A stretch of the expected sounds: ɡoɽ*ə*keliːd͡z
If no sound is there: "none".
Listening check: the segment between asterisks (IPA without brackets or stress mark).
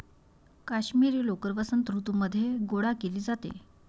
a